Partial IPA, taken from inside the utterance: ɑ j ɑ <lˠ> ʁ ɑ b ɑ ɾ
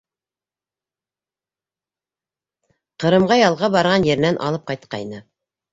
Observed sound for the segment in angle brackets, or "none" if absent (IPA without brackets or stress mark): lˠ